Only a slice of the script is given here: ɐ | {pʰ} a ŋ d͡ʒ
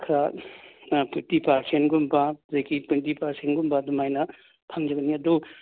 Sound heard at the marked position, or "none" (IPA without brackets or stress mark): pʰ